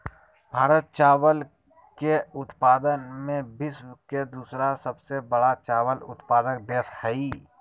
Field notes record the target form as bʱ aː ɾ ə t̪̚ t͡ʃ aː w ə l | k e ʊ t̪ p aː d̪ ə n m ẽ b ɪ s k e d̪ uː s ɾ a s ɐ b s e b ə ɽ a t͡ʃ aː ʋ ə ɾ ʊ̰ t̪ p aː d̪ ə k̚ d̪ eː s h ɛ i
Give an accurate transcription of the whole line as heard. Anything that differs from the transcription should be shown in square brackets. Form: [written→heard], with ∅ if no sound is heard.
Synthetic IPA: bʱ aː ɾ ə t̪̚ t͡ʃ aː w ə l | k e ʊ t̪ p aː d̪ ə n m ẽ b ɪ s k e d̪ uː s ɾ a s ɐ b s e b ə ɽ a t͡ʃ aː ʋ ə [ɾ→l] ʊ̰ t̪ p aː d̪ ə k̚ d̪ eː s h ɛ i